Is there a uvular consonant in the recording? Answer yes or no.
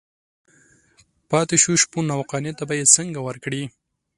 yes